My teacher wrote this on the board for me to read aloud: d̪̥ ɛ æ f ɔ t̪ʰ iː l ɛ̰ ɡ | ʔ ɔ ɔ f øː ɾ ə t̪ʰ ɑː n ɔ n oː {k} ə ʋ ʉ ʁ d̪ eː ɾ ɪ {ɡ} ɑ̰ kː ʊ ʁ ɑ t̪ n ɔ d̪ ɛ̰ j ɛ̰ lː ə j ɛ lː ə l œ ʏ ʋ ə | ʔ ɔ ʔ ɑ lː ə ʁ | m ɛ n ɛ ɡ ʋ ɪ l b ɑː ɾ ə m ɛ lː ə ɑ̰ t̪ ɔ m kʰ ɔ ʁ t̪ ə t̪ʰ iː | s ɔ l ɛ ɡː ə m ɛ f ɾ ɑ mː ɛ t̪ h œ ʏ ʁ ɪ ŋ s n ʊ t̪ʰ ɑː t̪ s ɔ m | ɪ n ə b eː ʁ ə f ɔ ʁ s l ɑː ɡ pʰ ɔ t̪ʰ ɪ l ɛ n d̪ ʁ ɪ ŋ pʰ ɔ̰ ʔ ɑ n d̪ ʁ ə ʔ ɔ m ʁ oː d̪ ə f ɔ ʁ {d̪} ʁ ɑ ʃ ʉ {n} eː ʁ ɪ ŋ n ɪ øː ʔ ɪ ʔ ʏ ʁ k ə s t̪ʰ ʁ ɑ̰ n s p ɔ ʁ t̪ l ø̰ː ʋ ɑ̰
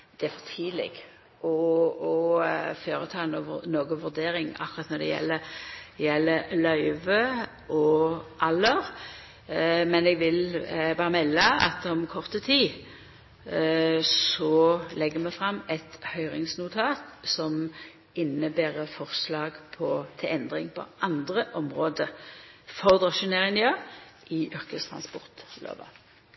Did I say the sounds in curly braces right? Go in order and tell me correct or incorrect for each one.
incorrect: ɡ, incorrect: ŋ, correct, correct

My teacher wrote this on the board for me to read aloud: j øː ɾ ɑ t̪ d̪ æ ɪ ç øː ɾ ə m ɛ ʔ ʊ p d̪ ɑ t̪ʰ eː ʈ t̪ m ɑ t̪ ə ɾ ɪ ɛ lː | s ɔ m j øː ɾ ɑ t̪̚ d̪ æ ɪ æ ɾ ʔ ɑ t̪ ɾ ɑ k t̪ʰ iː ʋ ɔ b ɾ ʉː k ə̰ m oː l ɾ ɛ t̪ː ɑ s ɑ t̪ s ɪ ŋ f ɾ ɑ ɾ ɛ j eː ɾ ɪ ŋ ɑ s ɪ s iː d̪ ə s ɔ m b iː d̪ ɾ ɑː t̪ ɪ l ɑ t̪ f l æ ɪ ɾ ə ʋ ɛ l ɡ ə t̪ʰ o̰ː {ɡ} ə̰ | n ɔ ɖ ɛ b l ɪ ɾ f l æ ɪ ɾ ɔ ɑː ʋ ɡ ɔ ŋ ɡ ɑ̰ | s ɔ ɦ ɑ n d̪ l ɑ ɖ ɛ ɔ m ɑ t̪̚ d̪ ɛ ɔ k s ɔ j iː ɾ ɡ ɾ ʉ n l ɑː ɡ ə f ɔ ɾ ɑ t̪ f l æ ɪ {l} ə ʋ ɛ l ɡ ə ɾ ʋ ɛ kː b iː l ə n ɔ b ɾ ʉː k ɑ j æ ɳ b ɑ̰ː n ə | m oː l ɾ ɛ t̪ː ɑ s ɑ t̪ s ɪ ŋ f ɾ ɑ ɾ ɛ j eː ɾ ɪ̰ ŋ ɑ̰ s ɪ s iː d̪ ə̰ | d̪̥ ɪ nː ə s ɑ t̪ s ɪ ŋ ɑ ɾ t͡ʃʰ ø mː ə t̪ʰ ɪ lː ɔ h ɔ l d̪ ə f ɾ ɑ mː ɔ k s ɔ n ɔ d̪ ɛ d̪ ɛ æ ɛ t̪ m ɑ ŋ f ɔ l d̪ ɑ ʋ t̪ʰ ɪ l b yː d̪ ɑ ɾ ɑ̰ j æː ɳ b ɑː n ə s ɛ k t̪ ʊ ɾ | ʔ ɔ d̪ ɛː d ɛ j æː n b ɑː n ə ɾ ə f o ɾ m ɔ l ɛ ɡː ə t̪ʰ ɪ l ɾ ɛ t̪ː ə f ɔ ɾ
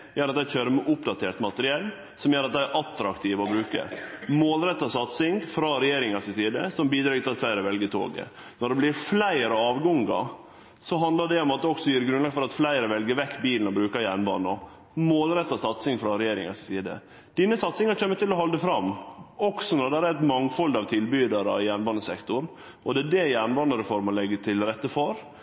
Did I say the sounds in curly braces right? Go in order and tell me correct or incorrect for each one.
correct, incorrect: ɾ

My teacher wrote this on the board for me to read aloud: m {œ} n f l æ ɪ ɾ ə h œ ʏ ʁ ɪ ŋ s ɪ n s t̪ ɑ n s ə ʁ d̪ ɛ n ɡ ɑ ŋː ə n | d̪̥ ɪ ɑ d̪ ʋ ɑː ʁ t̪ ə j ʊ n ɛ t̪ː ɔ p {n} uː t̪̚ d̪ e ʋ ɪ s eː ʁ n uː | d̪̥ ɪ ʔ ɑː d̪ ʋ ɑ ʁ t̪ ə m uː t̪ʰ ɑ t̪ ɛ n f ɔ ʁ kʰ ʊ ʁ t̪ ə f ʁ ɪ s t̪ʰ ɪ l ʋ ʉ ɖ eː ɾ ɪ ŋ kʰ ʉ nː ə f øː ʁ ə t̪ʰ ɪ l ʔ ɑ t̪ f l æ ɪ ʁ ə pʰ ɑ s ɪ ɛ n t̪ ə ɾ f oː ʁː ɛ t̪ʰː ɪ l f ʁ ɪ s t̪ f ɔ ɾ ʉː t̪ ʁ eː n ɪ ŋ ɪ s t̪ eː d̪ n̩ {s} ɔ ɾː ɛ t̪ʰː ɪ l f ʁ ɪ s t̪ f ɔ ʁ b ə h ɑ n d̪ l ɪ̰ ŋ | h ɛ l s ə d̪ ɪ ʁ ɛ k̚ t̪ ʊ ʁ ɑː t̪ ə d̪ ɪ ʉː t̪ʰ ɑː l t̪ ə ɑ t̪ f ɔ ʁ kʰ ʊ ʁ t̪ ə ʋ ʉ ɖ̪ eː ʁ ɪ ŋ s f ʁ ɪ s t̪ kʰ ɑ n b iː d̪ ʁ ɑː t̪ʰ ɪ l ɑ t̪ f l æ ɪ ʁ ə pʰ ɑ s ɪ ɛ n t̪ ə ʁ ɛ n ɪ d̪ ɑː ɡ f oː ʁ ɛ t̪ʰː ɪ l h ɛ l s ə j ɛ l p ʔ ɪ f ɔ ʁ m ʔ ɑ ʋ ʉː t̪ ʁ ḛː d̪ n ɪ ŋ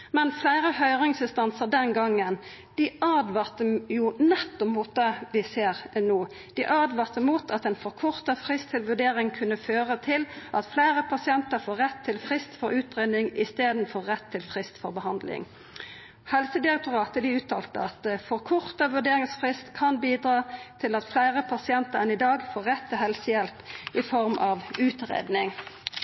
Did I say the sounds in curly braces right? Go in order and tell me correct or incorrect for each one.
incorrect: ɛ, incorrect: m, incorrect: f

